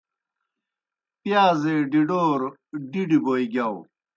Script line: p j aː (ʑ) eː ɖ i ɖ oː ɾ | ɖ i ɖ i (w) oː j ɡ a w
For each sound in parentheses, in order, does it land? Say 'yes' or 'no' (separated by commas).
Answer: no, no